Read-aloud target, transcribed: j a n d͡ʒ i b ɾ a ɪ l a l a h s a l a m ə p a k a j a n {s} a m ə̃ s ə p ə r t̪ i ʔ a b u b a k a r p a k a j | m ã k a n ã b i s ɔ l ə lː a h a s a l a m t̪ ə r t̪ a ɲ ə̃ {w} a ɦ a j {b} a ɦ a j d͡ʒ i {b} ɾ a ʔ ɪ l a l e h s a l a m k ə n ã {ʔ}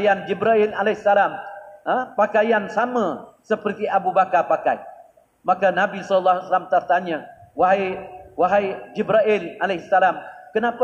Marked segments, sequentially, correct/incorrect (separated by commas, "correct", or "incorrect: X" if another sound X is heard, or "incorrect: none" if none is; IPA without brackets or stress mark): correct, correct, incorrect: w, correct, incorrect: p